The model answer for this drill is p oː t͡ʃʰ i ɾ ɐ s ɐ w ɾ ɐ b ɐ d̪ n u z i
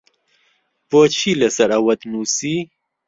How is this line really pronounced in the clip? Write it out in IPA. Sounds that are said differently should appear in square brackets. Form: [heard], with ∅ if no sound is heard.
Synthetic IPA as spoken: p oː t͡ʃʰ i [l] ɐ s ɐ [∅] ɾ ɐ [w] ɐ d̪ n u [s] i